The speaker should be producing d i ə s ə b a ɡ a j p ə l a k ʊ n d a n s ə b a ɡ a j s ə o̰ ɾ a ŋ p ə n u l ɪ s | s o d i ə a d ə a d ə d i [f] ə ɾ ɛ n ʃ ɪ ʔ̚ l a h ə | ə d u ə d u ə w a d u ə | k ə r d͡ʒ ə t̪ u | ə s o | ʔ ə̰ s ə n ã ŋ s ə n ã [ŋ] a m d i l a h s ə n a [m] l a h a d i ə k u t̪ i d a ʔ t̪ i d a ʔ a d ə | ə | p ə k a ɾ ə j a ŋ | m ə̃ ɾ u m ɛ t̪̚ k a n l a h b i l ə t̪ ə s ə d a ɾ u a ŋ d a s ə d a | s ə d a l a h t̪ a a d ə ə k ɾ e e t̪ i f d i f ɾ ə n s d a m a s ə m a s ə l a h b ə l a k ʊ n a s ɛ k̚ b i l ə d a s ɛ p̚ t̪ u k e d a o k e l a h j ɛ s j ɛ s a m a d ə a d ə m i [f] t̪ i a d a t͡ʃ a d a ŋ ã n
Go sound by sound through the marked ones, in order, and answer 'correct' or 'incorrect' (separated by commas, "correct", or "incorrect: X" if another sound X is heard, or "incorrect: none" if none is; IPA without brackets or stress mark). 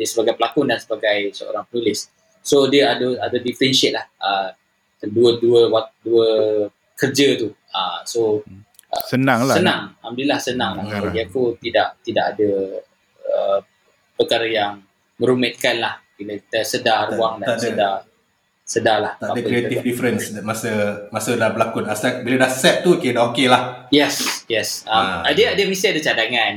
correct, correct, incorrect: ŋ, incorrect: s